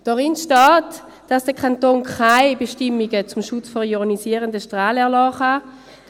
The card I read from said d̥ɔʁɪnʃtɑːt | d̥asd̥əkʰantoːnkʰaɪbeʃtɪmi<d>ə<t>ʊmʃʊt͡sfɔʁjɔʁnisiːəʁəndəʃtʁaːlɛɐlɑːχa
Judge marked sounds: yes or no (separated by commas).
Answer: no, no